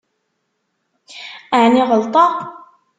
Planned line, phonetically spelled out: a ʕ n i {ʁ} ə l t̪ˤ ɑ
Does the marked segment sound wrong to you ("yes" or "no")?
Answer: no